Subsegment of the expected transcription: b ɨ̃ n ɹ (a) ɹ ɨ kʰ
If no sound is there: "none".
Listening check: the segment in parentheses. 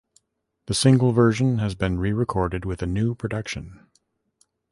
i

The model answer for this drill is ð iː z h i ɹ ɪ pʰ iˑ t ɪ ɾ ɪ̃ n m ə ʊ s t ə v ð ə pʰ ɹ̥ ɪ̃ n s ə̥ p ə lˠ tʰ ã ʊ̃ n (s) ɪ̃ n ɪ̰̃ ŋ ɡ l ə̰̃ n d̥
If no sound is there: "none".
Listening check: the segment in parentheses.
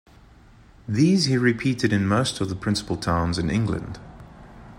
z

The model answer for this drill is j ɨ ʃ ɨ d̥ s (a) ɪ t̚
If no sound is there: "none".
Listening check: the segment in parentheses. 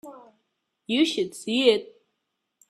i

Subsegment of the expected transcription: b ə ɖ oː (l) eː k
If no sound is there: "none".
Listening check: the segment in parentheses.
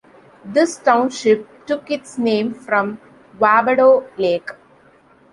l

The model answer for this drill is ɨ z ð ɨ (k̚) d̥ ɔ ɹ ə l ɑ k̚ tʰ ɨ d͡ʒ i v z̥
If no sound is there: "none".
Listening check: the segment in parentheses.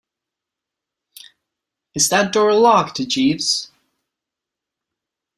t̚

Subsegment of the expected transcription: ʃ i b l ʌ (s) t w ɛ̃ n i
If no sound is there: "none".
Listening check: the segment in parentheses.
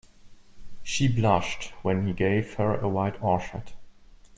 ʃ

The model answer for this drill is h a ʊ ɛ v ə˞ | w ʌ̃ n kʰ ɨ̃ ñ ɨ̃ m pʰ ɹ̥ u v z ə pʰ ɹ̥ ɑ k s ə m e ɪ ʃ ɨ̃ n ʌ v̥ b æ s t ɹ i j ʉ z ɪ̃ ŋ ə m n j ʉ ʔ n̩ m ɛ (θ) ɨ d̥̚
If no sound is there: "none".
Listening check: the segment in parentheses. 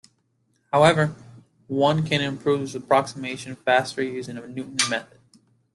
θ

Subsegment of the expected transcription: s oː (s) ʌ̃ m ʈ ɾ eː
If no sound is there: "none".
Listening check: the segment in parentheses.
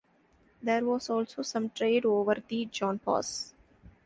s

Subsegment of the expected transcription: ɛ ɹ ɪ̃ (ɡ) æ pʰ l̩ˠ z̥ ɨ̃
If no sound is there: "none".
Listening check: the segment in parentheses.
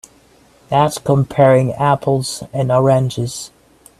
ŋ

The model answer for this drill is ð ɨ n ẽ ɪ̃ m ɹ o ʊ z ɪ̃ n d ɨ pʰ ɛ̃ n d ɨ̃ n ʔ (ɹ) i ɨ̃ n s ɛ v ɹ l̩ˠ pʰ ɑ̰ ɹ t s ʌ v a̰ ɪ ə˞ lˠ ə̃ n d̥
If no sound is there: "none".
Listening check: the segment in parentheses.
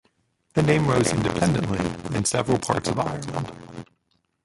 l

